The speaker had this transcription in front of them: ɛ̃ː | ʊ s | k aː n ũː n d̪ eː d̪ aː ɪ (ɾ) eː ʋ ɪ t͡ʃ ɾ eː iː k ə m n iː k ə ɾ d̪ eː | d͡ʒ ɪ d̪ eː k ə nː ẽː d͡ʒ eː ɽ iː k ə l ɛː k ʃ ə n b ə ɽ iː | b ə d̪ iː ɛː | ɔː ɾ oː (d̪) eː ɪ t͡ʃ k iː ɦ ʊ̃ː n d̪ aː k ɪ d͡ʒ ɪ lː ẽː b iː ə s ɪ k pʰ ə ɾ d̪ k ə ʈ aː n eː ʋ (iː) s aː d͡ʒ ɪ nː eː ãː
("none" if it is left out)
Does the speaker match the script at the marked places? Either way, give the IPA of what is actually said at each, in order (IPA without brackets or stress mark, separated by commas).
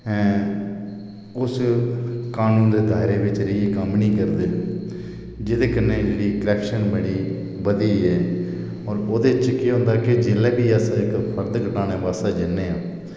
ɾ, d̪, aː